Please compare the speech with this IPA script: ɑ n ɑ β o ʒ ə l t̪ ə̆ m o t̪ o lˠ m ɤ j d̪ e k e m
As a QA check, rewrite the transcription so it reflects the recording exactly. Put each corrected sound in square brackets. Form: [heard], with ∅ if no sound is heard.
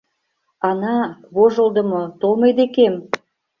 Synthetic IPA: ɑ n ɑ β o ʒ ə l [d̪] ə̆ m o t̪ o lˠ m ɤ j d̪ e k e m